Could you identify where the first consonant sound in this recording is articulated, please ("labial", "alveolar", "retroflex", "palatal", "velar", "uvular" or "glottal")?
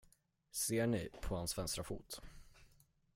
alveolar